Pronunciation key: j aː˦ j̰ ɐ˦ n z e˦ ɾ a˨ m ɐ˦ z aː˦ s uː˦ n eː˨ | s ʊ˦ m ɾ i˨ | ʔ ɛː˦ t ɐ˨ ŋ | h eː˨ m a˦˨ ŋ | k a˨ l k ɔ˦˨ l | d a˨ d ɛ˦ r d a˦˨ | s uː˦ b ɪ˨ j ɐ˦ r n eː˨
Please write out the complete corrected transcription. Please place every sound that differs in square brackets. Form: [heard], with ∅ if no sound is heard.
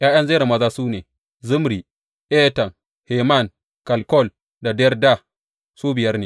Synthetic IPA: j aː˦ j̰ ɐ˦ n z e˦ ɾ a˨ m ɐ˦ z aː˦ s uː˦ n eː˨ | [z] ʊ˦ m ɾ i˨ | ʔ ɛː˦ t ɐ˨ ŋ | h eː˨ m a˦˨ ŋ | k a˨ l k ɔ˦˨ l | d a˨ d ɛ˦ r d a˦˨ | s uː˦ b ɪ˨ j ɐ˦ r n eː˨